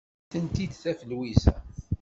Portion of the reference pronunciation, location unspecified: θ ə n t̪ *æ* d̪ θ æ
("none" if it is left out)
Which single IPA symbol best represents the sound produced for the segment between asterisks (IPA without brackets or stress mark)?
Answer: i